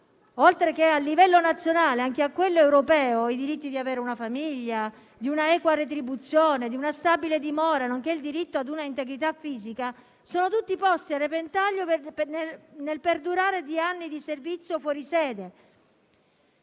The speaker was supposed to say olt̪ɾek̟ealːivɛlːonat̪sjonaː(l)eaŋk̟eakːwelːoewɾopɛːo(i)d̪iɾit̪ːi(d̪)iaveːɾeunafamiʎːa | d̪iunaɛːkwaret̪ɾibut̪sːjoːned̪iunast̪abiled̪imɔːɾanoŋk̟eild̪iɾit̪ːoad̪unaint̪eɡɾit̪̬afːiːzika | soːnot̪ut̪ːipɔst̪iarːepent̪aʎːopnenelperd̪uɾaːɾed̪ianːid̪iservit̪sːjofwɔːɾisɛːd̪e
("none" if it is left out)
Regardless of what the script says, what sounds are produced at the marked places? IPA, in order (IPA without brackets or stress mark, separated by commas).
l, i, d̪